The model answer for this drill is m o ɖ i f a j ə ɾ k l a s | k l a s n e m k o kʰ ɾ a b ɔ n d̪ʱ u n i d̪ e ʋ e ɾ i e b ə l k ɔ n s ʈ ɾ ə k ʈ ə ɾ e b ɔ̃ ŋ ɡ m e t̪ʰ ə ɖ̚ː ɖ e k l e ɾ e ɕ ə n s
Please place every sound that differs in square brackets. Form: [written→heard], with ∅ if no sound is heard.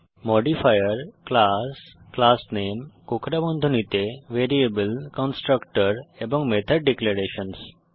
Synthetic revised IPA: m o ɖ i f a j ə ɾ k l a s | k l a s n e m k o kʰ ɾ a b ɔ n d̪ʱ u n i [d̪→t̪] e ʋ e ɾ i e b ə l k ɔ n s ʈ ɾ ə k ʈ ə ɾ e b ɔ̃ ŋ ɡ m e t̪ʰ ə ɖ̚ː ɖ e k l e ɾ e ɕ ə n s